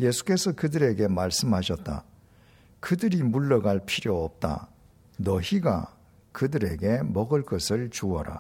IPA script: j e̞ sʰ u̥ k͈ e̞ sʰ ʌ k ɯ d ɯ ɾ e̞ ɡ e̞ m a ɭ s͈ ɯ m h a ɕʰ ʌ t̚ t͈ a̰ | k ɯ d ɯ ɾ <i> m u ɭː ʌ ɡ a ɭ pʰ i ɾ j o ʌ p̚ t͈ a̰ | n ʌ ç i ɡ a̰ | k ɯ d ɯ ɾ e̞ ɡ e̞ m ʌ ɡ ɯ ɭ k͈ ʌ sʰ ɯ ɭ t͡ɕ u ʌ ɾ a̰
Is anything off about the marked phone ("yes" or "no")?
no